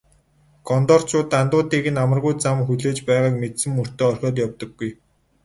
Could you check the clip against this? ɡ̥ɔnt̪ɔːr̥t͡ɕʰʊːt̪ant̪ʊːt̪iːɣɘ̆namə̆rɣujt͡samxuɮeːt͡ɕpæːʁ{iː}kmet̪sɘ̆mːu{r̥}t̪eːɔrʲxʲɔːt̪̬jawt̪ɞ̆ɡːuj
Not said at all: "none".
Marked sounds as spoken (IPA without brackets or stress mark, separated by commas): aː, r̥